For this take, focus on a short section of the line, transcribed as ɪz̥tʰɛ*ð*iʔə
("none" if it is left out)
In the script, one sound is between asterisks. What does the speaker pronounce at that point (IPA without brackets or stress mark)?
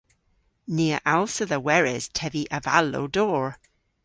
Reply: v